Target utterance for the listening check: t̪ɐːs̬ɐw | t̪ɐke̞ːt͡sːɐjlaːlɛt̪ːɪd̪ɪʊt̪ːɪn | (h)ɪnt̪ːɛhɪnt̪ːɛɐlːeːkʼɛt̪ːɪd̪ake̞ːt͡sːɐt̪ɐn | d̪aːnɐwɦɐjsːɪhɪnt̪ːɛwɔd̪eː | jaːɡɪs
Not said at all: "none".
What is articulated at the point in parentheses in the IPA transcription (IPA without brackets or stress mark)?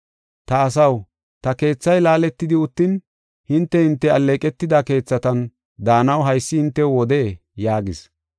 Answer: h